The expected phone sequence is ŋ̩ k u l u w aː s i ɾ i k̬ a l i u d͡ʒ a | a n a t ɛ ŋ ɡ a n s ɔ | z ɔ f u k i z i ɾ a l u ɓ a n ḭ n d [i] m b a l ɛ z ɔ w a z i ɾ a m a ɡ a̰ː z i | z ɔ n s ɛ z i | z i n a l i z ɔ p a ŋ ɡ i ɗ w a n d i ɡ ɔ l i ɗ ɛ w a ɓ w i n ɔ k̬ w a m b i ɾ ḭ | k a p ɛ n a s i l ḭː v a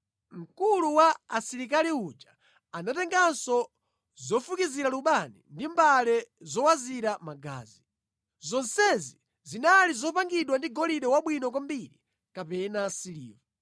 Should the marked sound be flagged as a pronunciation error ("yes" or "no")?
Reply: no